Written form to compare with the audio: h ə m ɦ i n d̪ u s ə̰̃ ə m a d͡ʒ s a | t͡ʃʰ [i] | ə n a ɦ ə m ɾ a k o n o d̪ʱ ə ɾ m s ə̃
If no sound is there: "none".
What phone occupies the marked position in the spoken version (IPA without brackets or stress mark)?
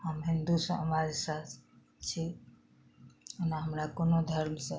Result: i